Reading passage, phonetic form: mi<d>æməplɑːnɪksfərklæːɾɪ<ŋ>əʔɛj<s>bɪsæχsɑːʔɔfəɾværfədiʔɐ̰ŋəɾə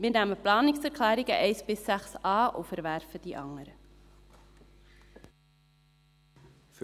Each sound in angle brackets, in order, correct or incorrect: incorrect: n, correct, correct

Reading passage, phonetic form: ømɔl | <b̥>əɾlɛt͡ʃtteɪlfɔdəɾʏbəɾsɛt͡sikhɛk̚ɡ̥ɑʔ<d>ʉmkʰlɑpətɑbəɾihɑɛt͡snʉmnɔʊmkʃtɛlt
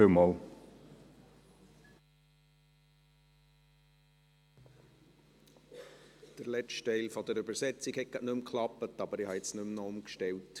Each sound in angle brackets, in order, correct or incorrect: incorrect: d̥, incorrect: n

